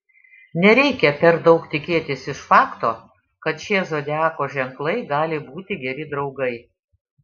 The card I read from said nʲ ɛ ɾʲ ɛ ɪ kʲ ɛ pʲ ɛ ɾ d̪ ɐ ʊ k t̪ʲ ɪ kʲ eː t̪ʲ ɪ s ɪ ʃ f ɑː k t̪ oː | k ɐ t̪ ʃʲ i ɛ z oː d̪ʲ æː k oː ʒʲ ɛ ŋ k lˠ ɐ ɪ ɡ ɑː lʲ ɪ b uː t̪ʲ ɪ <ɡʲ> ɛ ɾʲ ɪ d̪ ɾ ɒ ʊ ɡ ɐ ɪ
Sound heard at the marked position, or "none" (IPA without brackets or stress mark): ɡʲ